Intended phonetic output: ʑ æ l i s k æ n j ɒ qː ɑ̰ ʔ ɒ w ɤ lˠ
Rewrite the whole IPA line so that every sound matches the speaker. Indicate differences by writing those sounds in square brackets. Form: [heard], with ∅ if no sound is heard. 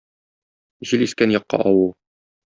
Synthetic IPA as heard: ʑ [i] l i s k æ n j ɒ qː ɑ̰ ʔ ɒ w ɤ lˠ